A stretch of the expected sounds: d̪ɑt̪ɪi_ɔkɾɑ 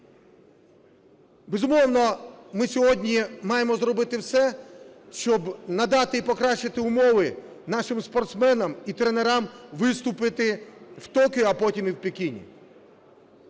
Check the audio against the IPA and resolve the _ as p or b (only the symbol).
p